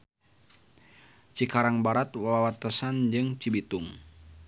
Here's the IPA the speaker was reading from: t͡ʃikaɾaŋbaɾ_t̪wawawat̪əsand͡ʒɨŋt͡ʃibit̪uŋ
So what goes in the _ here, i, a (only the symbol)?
a